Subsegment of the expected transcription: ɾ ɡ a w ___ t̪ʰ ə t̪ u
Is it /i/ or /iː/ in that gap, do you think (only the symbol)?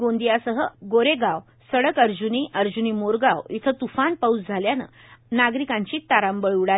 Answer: i